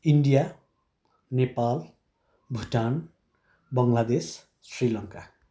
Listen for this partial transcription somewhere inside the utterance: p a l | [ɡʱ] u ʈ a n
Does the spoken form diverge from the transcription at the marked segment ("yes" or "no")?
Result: yes